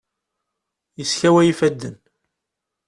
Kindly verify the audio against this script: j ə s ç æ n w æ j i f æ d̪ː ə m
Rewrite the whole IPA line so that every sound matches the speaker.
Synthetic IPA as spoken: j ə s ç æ w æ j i f æ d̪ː ə n